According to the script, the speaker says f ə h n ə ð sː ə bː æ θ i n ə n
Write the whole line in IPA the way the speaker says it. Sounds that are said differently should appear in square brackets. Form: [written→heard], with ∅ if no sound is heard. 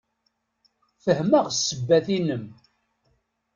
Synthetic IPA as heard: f ə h [n→m] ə [ð→ʁ] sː ə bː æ θ i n ə [n→m]